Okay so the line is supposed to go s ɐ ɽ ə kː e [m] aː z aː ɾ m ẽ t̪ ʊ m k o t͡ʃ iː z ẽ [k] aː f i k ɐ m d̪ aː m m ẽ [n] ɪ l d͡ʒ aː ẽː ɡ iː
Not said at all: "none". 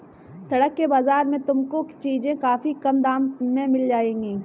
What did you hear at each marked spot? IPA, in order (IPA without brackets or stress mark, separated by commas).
b, k, m